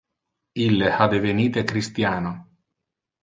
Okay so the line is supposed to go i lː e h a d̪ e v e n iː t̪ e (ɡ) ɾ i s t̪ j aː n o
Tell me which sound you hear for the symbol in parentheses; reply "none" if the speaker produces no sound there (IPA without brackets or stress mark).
k